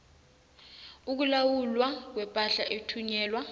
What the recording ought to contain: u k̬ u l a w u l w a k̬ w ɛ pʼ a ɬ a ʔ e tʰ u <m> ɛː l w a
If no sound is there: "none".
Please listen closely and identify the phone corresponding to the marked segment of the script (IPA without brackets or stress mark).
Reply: ɲ